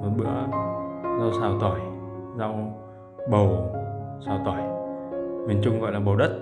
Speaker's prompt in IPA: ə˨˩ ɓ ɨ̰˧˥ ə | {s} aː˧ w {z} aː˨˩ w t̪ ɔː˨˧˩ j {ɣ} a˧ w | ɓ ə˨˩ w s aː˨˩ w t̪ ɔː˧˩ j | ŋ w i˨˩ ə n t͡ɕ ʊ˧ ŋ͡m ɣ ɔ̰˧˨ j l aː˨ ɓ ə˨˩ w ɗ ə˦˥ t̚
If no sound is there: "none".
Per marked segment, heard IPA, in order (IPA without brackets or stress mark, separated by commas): z, s, z